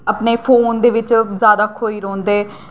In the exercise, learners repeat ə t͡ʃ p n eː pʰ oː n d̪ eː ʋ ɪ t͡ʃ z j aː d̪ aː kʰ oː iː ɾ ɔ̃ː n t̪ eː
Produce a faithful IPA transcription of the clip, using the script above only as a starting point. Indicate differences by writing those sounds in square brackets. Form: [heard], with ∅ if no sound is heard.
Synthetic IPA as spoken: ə [∅] p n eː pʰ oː n d̪ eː ʋ ɪ t͡ʃ z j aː d̪ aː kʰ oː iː ɾ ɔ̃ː n [d̪] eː